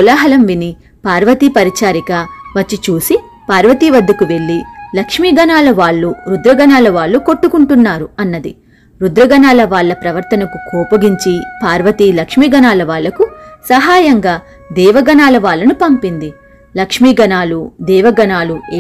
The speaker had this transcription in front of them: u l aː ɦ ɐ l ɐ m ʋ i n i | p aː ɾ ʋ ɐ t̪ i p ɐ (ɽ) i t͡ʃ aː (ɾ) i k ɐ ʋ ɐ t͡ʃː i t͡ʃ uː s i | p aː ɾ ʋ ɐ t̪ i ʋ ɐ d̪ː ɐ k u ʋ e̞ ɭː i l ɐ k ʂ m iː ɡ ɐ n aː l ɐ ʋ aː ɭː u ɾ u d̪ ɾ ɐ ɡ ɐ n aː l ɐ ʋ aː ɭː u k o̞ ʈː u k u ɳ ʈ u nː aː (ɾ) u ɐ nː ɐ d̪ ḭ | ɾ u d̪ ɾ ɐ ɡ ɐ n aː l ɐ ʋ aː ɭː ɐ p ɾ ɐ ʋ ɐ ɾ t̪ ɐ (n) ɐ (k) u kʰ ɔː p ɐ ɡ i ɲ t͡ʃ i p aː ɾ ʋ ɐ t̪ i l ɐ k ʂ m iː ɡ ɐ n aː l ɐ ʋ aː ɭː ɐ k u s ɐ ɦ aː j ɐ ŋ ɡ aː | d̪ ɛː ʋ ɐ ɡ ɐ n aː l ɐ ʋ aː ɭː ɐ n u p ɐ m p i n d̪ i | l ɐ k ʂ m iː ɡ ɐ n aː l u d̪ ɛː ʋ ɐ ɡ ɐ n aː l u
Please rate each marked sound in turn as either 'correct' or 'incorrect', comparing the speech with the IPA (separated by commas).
incorrect, correct, correct, correct, correct